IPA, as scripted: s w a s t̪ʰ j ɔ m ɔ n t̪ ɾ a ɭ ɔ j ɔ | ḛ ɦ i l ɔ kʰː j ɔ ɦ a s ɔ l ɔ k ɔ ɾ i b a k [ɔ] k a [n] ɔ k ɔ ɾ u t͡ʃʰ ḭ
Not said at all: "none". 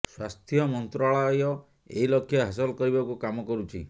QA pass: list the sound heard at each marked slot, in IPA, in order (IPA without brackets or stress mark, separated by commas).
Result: u, m